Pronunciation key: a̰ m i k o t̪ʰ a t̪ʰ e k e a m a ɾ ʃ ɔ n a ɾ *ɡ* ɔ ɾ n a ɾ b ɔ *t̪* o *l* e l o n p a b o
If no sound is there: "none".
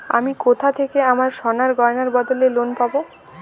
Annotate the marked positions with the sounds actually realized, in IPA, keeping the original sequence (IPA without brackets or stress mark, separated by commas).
ɡ, d̪, l